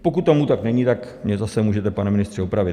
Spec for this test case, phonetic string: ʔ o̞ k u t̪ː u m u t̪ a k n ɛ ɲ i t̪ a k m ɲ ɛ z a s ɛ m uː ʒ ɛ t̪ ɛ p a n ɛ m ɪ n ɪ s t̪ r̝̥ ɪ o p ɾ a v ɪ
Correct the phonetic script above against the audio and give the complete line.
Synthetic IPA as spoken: p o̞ k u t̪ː o m u t̪ a k n ɛ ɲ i t̪ a k m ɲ ɛ z a s ɛ m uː ʒ ɛ t̪ ɛ p a n ɛ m ɪ n ɪ s t̪ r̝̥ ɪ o p ɾ a v ɪ